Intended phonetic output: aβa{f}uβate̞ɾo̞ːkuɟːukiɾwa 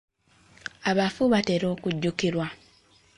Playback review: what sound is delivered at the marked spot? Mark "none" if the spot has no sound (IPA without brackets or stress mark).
f